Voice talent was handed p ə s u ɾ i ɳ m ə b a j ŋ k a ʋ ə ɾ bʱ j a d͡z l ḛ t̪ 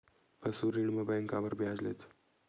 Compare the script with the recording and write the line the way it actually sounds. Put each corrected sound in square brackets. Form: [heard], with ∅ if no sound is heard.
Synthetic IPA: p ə s u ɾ i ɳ m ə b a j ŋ k a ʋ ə ɾ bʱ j a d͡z l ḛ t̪